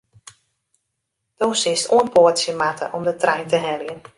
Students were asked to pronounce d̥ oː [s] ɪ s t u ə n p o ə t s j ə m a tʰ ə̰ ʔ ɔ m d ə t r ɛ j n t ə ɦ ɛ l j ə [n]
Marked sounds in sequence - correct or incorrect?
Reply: correct, correct

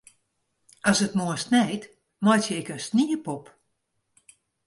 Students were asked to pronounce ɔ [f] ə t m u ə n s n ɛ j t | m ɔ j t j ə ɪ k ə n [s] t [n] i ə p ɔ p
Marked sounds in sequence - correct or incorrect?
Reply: incorrect, correct, correct

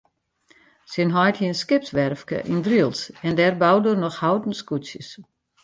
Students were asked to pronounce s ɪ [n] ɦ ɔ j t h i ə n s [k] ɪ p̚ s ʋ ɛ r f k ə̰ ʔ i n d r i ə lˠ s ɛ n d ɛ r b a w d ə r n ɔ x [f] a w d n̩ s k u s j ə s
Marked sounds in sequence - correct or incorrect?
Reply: correct, correct, incorrect

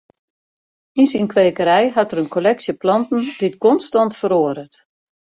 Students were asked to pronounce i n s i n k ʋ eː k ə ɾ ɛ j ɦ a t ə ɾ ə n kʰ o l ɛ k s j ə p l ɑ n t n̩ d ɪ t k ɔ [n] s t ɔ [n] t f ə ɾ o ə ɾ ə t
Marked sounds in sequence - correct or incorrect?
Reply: correct, correct

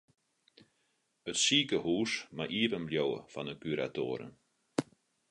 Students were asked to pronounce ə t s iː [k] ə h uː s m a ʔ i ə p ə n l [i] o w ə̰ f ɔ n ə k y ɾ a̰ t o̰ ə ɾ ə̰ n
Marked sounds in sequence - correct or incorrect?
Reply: correct, incorrect

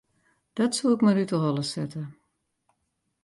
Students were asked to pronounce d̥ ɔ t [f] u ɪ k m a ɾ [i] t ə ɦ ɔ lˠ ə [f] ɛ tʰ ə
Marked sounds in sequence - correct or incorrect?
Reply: incorrect, incorrect, incorrect

